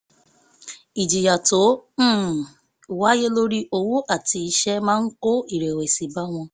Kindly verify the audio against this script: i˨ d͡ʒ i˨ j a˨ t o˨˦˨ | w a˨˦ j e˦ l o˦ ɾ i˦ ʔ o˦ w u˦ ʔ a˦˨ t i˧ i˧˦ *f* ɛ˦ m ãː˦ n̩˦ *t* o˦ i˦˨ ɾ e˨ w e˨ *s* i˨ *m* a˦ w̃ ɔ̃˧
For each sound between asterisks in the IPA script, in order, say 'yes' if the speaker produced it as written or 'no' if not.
no, no, yes, no

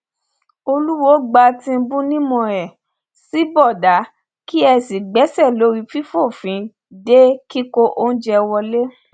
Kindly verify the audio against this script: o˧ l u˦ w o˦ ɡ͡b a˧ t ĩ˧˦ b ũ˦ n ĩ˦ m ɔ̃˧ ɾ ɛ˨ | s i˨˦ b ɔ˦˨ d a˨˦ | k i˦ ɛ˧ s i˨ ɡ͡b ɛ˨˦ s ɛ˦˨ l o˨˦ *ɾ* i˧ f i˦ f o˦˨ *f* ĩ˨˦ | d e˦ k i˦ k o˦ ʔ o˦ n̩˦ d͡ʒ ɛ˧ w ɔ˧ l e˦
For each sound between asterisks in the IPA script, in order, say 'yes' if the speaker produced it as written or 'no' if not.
yes, yes

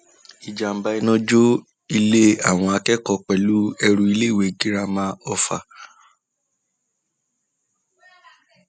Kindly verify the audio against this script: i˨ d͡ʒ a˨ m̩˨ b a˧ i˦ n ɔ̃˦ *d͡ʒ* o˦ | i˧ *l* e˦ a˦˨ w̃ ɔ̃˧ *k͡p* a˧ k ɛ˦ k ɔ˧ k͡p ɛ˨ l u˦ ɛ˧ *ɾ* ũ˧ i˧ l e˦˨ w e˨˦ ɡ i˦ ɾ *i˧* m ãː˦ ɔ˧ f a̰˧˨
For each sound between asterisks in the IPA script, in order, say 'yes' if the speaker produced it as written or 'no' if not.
yes, yes, no, yes, no

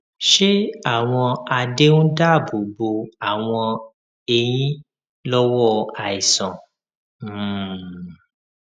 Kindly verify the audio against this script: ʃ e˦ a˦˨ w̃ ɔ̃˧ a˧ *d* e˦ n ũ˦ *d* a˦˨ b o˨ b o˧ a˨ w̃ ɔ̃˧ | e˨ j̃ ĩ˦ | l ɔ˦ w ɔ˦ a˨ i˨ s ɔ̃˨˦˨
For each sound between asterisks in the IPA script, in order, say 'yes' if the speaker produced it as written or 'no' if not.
yes, yes

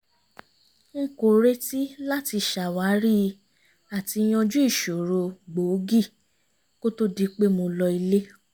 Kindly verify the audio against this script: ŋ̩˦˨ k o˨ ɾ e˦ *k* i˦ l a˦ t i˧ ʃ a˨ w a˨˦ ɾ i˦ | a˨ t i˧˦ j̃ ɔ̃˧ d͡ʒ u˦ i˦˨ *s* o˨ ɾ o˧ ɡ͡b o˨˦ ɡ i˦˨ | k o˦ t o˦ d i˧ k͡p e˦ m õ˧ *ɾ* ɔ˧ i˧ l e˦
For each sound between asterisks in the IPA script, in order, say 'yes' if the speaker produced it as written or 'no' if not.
no, no, no

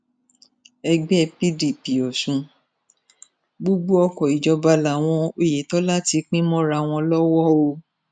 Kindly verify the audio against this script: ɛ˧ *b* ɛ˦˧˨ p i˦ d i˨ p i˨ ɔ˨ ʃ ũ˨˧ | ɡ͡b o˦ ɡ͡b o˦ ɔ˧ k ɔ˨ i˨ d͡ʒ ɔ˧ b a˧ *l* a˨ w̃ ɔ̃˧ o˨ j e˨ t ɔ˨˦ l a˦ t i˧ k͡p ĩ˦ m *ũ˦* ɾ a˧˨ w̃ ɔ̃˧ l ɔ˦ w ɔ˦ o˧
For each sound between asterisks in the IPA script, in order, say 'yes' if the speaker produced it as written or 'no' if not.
no, yes, no

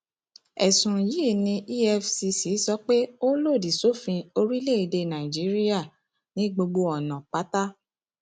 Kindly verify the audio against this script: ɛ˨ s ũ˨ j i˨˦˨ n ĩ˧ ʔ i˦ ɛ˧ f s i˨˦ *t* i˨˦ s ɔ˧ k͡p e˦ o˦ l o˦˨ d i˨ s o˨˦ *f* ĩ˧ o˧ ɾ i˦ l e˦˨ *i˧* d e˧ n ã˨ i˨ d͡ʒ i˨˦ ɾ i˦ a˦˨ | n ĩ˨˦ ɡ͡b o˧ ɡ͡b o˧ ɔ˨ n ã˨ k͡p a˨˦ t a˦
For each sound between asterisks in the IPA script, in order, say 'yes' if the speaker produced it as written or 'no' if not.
no, yes, yes

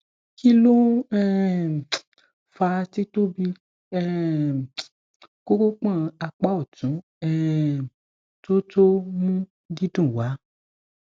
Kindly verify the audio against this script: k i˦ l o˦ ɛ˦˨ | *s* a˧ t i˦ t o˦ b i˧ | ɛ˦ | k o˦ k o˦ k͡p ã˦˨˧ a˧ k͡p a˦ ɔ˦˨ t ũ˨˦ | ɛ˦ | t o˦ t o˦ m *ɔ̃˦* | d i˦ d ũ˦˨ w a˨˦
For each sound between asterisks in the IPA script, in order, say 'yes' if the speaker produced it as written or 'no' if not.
no, no

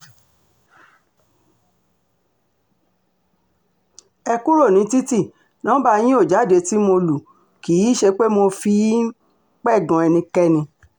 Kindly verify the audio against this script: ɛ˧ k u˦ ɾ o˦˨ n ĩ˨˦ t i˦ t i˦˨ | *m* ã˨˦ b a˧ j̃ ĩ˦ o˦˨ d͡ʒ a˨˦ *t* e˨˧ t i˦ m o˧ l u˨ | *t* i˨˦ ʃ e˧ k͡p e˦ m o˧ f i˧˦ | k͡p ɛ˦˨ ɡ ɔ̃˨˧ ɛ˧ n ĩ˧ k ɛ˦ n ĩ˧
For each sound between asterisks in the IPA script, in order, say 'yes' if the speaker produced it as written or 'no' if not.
no, no, no

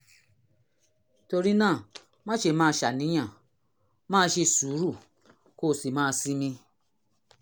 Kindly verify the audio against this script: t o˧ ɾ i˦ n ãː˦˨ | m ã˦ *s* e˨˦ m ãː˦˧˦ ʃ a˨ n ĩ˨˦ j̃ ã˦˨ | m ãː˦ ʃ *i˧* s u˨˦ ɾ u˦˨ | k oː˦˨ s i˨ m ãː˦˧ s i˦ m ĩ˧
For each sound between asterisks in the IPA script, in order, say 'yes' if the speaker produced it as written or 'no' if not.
no, no

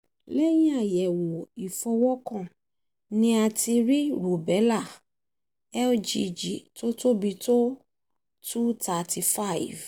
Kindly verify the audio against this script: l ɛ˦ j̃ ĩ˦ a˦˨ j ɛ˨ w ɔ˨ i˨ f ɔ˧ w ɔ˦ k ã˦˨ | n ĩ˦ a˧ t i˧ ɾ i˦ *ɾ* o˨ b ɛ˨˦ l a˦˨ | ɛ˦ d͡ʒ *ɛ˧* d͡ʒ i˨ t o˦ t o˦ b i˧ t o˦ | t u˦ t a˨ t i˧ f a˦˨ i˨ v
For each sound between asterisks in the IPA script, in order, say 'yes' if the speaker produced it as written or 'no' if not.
yes, no

